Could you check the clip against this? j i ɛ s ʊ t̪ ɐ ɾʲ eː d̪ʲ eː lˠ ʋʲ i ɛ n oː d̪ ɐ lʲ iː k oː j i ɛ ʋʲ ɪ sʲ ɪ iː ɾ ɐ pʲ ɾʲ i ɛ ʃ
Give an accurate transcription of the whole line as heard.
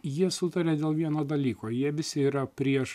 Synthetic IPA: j i ɛ s ʊ t̪ ɐ ɾʲ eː d̪ʲ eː lˠ ʋʲ i ɛ n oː d̪ ɐ lʲ iː k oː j i ɛ ʋʲ ɪ sʲ ɪ iː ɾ ɐ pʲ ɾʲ i ɛ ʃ